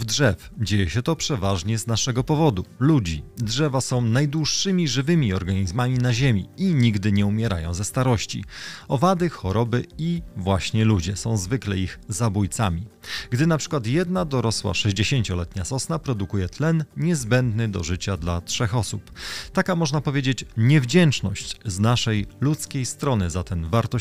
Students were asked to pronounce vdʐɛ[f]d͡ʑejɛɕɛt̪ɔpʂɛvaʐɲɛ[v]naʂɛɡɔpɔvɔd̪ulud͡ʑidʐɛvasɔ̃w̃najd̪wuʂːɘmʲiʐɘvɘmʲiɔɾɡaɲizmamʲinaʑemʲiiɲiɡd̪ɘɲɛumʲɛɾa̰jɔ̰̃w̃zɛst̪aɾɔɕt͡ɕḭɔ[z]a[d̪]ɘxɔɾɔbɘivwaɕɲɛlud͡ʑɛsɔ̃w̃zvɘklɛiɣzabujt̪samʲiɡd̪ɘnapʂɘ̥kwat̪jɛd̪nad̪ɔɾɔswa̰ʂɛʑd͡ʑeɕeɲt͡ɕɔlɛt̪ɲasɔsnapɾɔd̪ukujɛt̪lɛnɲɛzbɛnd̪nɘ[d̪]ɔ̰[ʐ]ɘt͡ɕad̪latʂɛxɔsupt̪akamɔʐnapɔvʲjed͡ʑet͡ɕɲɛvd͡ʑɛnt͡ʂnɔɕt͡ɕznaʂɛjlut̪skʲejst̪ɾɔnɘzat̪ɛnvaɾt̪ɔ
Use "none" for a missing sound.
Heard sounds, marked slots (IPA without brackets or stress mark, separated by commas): f, z, v, d̪, d̪, ʐ